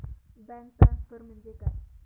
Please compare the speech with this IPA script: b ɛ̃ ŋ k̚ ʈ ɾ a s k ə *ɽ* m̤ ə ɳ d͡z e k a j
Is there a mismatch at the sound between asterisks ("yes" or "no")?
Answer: yes